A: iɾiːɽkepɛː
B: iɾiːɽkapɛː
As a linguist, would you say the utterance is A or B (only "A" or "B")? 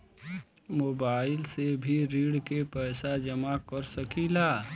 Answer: A